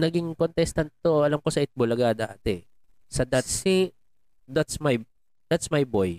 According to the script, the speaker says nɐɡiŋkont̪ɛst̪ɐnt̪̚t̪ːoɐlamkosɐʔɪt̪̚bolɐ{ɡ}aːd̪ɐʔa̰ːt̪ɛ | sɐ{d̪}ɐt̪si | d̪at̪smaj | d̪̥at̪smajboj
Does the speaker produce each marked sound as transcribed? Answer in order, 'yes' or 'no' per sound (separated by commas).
yes, yes